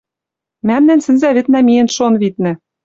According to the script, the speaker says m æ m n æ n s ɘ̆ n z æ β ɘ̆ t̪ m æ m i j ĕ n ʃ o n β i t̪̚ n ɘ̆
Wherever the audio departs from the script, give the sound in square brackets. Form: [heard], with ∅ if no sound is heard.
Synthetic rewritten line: m æ m n æ n s ɘ̆ n z æ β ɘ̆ t̪ [n] æ m i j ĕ n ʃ o n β i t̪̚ n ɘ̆